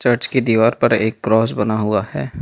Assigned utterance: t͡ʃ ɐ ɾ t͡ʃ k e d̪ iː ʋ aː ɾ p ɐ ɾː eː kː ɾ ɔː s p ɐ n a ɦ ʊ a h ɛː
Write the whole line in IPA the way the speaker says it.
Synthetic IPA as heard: t͡ʃ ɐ ɾ t͡ʃ k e d̪ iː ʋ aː ɾ p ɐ ɾ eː kː ɾ ɔː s b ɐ n a ɦ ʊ a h ɛː